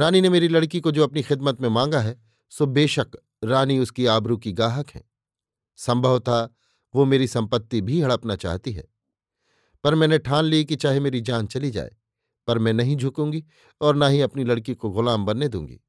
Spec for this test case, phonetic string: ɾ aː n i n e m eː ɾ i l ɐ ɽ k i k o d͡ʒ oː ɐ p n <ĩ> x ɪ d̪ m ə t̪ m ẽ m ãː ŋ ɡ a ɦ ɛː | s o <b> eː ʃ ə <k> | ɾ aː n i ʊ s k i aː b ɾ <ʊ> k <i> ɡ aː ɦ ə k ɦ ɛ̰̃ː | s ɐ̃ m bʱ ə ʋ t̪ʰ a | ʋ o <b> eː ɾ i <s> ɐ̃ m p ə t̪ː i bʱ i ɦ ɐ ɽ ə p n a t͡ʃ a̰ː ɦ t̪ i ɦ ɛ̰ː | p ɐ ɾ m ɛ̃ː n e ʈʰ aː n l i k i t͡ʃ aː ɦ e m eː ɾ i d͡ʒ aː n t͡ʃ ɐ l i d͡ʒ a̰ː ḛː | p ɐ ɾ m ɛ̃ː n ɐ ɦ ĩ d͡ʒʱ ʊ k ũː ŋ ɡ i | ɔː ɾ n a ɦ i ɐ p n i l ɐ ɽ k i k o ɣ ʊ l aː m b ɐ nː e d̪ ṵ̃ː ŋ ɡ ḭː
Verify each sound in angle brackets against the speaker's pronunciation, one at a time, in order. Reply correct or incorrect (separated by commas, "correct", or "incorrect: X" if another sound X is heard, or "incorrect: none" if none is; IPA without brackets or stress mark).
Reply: incorrect: i, correct, correct, incorrect: u, correct, incorrect: m, correct